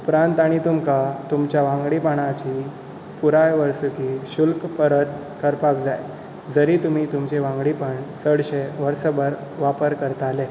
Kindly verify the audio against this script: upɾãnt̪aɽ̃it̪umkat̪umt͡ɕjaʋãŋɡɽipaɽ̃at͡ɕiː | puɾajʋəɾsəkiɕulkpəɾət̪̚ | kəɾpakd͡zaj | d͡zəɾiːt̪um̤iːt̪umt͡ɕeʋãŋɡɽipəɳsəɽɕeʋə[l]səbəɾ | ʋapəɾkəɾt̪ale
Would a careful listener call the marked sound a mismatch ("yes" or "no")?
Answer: yes